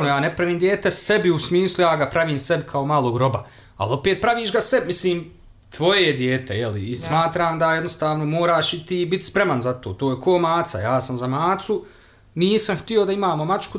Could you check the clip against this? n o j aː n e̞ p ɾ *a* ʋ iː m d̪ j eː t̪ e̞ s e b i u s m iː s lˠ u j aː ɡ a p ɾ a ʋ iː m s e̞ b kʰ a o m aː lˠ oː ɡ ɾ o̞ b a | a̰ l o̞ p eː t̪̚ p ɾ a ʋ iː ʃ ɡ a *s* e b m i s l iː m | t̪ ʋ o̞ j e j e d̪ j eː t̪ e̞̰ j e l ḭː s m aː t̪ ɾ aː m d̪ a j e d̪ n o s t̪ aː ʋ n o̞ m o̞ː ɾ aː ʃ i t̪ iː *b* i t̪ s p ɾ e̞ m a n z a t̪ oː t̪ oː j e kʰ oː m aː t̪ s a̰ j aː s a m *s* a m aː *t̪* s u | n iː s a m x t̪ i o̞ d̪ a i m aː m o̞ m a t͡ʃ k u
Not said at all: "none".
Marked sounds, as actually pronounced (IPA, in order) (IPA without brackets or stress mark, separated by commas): a, s, b, z, t̪